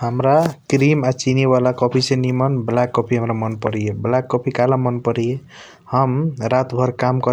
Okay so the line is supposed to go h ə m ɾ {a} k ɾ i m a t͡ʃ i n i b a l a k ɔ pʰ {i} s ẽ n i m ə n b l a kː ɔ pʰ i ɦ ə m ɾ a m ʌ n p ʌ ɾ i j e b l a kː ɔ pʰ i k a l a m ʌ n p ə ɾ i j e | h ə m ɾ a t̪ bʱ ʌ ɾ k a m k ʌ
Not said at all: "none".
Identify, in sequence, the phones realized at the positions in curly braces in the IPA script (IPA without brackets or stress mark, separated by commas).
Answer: a, i